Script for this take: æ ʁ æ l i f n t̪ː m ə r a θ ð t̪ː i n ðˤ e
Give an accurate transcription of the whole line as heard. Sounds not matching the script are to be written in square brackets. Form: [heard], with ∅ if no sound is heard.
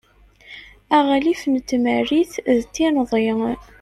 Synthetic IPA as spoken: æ ʁ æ l i f n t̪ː m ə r [i] θ ð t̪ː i n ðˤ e